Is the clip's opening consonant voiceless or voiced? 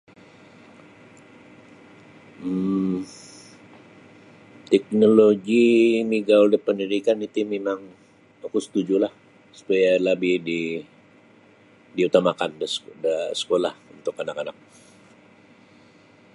voiceless